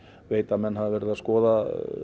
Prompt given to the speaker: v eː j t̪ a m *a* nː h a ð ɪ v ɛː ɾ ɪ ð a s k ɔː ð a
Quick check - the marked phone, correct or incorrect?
incorrect